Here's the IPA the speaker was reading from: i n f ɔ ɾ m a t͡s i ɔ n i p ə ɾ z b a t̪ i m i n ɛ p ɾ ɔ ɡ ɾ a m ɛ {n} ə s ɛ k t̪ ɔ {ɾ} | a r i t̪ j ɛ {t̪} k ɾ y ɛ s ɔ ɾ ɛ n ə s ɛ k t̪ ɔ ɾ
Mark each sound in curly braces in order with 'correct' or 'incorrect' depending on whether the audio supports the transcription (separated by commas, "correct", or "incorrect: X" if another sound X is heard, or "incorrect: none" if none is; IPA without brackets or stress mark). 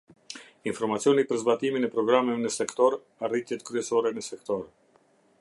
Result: correct, correct, correct